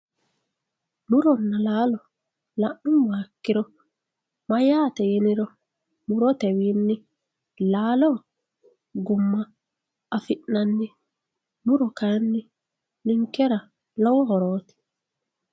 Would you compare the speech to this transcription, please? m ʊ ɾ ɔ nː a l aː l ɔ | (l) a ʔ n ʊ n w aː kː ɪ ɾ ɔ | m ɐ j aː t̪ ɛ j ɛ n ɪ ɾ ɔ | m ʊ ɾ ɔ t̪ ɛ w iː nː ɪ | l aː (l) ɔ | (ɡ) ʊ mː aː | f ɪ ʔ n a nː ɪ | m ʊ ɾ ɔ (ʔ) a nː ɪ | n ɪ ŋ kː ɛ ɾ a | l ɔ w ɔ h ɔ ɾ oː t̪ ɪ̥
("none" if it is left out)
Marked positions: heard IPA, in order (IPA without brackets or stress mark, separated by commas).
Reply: l, l, ɡ, k